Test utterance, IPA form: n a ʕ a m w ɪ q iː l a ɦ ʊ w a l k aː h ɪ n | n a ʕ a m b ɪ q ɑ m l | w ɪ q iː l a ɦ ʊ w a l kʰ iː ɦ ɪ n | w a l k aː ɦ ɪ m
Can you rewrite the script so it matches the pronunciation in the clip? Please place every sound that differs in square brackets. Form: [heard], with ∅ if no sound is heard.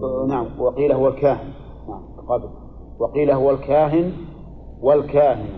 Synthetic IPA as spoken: n a ʕ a m w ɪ q iː l a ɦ ʊ w a l k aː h ɪ n | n a ʕ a m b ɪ q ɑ [b] l | w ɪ q iː l a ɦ ʊ w a l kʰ [aː] ɦ ɪ n | w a l k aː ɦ ɪ [n]